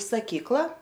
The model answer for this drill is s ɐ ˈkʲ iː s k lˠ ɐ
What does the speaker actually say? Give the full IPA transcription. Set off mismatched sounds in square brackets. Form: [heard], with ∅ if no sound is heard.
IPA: s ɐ ˈkʲ iː [∅] k lˠ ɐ